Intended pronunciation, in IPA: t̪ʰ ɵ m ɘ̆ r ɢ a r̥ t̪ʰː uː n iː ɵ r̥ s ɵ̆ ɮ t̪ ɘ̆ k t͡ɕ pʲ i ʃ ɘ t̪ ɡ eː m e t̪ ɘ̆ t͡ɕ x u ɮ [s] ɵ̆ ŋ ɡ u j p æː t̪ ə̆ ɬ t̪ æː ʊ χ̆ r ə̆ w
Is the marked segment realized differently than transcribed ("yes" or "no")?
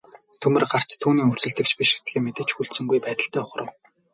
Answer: no